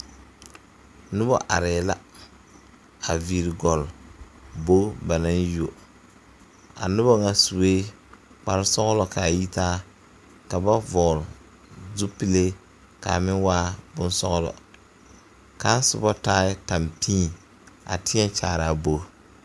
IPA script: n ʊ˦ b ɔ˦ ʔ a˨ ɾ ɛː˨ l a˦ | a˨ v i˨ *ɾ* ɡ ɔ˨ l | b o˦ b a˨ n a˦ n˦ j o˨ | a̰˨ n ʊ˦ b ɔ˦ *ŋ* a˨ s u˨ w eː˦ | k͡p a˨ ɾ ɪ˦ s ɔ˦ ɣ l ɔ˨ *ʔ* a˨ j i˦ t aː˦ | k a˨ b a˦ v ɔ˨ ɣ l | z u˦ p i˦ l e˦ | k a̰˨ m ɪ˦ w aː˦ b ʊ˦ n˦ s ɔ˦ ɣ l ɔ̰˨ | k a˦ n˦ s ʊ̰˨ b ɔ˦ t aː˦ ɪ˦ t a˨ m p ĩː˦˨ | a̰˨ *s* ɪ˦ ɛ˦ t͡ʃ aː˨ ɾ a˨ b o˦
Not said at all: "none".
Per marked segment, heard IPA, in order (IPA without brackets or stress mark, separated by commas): ɾ, ŋ, k, t